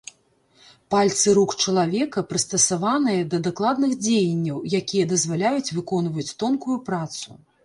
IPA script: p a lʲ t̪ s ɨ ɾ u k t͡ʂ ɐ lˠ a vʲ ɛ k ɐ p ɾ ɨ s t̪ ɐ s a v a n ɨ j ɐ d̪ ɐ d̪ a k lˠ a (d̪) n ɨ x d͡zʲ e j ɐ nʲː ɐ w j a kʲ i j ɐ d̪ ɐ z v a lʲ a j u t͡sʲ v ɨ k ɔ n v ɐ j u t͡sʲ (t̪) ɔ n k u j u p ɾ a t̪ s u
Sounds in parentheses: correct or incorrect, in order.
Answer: correct, correct

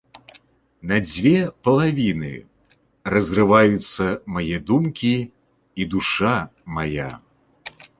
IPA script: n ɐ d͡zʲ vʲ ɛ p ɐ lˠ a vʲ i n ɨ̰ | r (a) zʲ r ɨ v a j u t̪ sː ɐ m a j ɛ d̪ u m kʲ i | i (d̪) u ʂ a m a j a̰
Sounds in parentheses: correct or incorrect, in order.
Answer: incorrect: ɐ, correct

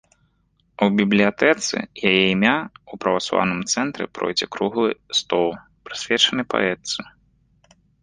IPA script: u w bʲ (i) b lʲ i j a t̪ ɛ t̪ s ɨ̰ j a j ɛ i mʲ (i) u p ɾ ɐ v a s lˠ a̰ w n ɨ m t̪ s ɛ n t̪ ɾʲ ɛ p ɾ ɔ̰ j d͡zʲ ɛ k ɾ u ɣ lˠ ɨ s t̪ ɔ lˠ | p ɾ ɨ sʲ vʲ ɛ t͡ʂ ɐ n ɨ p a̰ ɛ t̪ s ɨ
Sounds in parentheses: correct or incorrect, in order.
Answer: correct, incorrect: a

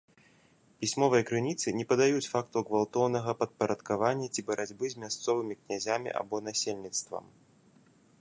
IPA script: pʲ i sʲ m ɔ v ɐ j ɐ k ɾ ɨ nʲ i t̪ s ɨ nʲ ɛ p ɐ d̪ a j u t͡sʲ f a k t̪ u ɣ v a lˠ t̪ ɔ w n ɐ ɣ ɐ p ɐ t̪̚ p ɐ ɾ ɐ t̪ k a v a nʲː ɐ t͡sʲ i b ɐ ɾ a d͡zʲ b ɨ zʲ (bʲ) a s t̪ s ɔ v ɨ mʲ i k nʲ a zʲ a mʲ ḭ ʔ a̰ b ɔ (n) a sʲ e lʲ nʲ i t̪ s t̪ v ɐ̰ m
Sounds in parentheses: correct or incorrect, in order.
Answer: incorrect: mʲ, correct

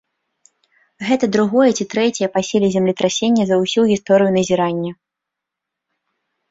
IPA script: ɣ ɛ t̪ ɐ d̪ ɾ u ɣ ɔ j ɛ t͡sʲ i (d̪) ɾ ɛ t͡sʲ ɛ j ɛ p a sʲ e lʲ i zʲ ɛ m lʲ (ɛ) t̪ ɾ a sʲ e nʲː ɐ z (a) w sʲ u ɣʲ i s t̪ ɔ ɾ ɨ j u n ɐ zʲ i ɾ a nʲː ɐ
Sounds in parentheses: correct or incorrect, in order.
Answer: incorrect: t̪, incorrect: i, incorrect: ɐ

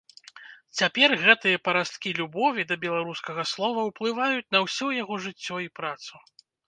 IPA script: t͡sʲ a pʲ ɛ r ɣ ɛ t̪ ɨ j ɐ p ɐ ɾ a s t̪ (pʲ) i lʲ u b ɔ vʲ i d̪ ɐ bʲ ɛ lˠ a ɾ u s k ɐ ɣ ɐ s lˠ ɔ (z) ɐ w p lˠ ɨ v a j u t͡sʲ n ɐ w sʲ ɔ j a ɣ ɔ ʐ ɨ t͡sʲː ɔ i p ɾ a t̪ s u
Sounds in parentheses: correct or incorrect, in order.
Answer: incorrect: kʲ, incorrect: v

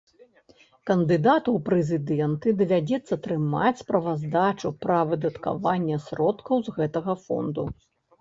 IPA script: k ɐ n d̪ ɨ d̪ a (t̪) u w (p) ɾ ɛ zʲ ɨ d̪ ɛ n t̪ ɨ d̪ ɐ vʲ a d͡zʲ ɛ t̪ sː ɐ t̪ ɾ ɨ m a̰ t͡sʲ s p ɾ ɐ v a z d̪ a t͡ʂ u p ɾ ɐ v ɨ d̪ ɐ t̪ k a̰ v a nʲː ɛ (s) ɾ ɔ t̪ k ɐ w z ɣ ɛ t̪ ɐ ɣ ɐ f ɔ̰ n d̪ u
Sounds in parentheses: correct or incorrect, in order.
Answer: correct, correct, correct

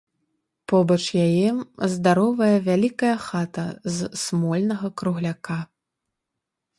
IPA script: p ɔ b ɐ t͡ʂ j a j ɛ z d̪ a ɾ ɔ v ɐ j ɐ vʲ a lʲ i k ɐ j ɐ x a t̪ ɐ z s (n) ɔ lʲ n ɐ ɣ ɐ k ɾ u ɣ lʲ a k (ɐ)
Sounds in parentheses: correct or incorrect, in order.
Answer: incorrect: m, incorrect: a

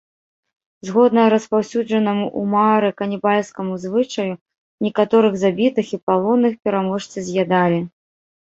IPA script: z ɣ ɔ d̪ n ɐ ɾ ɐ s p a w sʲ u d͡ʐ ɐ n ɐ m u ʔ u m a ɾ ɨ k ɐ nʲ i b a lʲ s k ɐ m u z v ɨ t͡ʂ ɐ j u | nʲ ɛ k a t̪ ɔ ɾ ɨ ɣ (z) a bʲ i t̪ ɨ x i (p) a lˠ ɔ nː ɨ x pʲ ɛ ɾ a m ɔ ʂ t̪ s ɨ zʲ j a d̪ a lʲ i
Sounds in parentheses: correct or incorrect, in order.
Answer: correct, correct

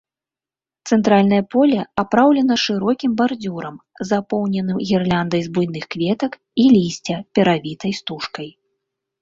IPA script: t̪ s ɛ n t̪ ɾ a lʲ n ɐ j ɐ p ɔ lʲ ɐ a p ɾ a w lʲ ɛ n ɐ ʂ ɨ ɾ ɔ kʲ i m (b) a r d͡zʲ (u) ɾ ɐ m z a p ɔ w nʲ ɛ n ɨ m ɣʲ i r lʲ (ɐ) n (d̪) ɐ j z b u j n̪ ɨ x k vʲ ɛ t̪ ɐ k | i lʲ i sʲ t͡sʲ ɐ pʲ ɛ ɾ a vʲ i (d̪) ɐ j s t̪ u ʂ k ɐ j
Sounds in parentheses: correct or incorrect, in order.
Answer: correct, correct, incorrect: a, correct, incorrect: t̪

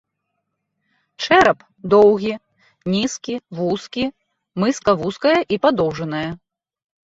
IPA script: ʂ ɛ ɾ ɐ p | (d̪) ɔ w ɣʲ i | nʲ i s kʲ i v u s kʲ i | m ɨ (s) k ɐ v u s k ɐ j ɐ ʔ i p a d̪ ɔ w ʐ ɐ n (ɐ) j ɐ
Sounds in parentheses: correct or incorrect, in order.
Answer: correct, correct, correct

